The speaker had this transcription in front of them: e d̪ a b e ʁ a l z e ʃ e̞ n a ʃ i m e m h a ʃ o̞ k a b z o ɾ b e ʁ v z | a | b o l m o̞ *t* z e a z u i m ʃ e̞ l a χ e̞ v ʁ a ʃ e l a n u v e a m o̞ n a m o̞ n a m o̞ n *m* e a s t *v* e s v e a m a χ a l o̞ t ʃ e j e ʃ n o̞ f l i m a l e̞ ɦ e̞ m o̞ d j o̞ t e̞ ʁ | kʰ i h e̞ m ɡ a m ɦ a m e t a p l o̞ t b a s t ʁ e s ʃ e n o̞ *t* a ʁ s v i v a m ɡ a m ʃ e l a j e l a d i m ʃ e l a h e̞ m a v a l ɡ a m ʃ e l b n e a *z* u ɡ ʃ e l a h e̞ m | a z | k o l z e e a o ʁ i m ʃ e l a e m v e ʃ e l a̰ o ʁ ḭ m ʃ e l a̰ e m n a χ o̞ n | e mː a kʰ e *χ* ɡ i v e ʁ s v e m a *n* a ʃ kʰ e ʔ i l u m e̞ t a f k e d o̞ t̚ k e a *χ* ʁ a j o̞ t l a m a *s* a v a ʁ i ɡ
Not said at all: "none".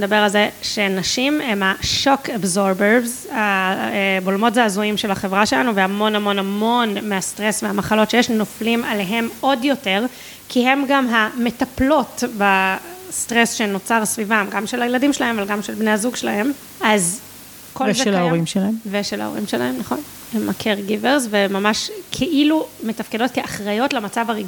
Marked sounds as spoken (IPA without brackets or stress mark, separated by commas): t, m, ʁ, t͡s, z, ʁ, m, χ, t͡s